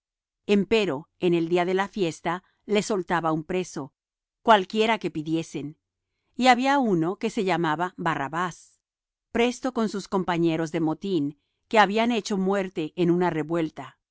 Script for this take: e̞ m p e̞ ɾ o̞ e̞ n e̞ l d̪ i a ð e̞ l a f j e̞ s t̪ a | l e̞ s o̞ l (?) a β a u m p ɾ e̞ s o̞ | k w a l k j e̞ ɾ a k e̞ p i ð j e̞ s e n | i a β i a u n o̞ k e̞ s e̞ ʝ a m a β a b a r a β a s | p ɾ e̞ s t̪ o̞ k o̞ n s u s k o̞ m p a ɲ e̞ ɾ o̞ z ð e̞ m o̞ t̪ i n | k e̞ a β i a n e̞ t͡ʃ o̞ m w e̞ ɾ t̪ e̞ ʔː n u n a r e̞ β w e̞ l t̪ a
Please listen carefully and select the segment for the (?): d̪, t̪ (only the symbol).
t̪